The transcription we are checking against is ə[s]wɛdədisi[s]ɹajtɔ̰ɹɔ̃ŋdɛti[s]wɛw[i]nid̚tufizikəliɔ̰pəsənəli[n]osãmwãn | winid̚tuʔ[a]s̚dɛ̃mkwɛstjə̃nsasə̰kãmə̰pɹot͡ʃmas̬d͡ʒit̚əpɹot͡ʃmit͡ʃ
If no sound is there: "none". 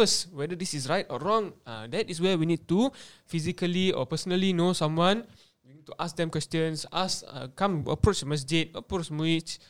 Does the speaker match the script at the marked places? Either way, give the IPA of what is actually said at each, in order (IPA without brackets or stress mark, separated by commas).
s, s, s, i, n, a